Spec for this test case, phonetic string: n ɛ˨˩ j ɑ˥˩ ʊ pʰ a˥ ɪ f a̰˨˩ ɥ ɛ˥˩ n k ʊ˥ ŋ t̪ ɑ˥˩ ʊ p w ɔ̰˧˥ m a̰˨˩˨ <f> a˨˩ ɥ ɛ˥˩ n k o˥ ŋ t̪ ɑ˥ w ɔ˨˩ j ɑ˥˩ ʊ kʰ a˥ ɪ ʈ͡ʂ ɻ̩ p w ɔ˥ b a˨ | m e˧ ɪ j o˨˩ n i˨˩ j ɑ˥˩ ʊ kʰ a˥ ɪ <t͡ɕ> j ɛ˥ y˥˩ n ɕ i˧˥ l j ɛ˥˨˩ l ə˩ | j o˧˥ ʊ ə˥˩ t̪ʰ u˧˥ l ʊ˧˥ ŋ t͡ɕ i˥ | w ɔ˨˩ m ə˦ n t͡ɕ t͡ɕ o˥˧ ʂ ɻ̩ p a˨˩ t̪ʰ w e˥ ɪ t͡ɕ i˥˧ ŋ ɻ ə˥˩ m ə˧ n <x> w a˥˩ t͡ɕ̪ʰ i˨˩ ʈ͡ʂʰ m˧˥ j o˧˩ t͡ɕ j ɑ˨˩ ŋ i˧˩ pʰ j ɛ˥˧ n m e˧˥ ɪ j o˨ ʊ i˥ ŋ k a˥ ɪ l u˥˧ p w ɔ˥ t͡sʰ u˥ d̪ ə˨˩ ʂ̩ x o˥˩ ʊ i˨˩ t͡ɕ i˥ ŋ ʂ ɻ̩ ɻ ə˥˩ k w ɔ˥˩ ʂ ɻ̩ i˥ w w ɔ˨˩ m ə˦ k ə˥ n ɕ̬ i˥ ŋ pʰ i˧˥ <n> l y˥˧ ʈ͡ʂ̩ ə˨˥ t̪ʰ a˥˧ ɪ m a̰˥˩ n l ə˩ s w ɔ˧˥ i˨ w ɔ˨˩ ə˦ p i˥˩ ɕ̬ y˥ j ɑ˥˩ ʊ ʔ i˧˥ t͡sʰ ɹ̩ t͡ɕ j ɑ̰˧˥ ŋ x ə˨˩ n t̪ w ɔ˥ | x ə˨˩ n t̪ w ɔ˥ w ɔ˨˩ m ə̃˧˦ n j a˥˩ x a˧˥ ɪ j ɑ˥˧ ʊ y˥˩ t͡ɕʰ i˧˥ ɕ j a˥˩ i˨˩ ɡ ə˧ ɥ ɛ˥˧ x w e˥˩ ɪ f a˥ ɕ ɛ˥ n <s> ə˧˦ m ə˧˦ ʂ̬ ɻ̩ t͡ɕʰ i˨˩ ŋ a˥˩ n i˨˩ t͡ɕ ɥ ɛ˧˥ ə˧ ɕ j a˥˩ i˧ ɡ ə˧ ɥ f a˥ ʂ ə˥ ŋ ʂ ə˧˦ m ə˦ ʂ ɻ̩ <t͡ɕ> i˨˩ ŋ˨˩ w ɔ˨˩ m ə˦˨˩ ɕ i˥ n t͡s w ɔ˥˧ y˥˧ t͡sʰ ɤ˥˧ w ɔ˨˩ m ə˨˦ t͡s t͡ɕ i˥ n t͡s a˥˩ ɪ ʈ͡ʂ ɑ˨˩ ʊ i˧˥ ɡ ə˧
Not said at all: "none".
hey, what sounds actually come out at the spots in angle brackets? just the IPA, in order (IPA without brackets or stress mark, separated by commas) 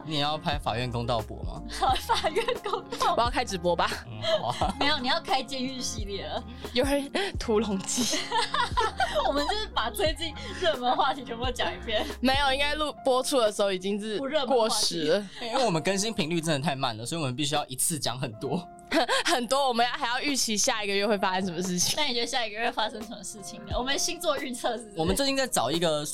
f, t͡ɕ, x, ŋ, ʂ, t͡ɕʰ